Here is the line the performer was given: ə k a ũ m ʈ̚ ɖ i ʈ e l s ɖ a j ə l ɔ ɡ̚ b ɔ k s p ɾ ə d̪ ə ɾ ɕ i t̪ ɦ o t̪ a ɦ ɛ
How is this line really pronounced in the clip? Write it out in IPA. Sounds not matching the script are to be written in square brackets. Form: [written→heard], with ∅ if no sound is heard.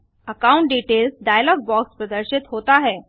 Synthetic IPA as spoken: ə k a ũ [m→ɳ] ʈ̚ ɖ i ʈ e l s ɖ a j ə l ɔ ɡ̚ b ɔ k s p ɾ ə d̪ ə ɾ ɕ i t̪ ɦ o t̪ a ɦ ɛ

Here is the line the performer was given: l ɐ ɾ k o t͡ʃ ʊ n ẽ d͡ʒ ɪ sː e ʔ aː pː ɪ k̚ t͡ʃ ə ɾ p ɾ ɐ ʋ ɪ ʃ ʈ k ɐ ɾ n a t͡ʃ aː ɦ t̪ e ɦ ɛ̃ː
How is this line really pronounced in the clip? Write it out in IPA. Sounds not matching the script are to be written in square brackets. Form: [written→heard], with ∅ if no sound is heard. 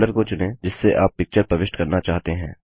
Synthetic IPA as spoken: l [ɐ→ə] ɾ k o t͡ʃ ʊ n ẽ d͡ʒ ɪ sː e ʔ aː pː ɪ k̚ t͡ʃ ə ɾ p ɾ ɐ ʋ ɪ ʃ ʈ k ɐ ɾ n a t͡ʃ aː ɦ t̪ e ɦ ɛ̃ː

